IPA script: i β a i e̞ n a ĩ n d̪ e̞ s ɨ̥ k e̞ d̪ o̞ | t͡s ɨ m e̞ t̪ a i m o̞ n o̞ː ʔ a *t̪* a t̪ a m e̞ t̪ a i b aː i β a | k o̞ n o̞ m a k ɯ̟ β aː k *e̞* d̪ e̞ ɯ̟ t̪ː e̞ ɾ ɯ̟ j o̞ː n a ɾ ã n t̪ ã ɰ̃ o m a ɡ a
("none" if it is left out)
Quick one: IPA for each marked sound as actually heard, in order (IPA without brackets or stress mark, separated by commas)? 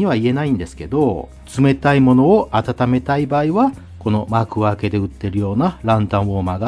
t̪, e̞